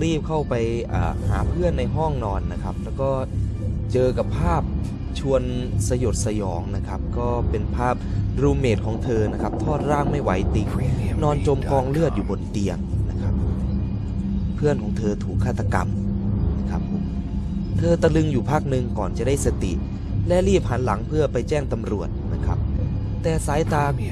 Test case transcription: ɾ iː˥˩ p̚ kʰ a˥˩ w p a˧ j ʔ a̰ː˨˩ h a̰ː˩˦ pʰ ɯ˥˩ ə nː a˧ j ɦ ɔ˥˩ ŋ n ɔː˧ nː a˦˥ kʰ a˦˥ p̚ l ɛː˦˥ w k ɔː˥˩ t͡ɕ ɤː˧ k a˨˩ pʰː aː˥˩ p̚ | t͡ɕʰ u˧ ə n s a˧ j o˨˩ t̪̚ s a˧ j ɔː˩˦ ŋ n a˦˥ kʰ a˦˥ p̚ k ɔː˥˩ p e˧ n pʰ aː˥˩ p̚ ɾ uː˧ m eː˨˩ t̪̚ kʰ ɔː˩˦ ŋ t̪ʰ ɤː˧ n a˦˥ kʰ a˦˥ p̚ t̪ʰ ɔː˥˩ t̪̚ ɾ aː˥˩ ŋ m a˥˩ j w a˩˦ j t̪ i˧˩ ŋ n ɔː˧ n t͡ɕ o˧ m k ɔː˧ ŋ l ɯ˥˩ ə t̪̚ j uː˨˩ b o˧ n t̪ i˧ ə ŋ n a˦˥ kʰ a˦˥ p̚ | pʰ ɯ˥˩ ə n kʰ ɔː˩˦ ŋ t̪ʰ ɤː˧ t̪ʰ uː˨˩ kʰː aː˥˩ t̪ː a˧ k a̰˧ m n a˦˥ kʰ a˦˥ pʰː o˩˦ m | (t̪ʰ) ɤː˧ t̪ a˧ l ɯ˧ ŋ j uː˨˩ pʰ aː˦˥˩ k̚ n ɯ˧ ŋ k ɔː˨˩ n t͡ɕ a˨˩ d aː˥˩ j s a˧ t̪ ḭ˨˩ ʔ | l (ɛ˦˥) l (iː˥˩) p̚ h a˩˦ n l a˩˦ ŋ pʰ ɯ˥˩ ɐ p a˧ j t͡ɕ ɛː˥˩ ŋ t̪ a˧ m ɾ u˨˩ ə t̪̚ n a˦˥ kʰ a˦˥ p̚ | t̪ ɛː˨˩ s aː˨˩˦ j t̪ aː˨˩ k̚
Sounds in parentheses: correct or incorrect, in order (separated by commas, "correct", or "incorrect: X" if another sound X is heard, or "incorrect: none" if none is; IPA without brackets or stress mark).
correct, correct, correct